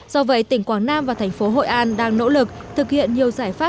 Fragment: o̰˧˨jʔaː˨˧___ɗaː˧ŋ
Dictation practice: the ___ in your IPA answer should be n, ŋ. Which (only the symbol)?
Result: n